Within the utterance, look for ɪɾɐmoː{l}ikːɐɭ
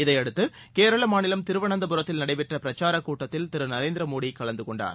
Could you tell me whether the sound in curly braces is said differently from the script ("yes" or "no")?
yes